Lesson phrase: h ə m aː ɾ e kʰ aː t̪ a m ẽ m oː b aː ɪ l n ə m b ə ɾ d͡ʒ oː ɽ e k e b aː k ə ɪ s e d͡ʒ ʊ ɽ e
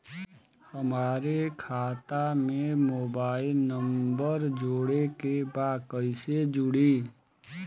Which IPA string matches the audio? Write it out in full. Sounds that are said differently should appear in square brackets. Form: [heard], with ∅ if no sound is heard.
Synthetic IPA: h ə m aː ɾ e kʰ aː t̪ a m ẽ m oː b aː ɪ l n ə m b ə ɾ d͡ʒ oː ɽ e k e b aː k ə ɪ s e d͡ʒ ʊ ɽ [i]